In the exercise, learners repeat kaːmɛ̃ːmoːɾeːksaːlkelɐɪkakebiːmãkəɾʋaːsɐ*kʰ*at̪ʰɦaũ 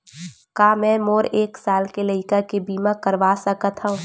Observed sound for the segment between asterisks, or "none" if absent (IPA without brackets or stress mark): k